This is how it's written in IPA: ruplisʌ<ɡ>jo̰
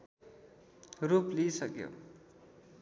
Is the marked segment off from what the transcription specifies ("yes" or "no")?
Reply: yes